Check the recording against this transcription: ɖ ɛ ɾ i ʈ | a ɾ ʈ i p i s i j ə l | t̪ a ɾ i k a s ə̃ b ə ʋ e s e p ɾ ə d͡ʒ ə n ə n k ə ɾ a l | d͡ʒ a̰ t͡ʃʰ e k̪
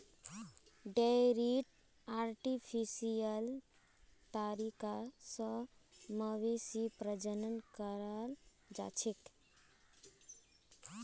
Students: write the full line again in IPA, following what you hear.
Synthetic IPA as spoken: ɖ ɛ ɾ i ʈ | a ɾ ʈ i pʰ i s i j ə l | t̪ a ɾ i k a s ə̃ m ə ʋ e s i p ɾ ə d͡ʒ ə n ə n k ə ɾ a l | d͡ʒ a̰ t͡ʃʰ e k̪